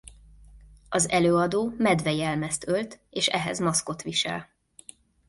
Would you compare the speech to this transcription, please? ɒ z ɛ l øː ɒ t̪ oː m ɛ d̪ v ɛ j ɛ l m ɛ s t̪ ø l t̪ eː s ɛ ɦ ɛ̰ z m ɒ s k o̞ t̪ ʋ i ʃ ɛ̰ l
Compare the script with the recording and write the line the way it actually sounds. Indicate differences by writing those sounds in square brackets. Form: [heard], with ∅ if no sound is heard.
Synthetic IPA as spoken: ɒ z ɛ l øː ɒ [d̪] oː m ɛ d̪ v ɛ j ɛ l m ɛ s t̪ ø l t̪ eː [ʃ] ɛ ɦ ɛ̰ z m ɒ s k o̞ t̪ ʋ i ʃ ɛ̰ l